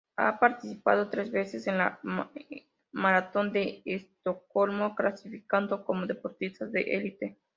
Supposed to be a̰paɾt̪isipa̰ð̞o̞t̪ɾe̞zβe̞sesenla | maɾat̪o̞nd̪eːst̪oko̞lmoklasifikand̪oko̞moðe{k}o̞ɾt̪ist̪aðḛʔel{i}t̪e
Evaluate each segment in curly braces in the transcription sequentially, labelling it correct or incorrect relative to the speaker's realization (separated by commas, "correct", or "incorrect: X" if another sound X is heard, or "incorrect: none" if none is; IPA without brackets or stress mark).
incorrect: p, correct